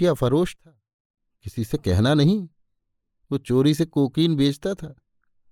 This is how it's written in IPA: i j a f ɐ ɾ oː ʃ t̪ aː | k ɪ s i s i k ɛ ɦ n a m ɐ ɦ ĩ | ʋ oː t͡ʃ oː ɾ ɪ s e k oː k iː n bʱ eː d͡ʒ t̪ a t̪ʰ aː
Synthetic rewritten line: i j a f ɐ ɾ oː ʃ t̪ʰ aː | k ɪ s i s e k ɛ ɦ n a n ɐ ɦ ĩ | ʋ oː t͡ʃ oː ɾ i s e k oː k iː n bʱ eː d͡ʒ t̪ a t̪ʰ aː